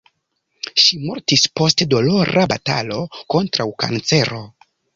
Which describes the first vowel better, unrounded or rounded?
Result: unrounded